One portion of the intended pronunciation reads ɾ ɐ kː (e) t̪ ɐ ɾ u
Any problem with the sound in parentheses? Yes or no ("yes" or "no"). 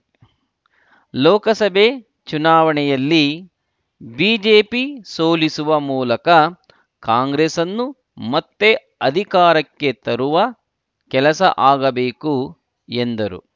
no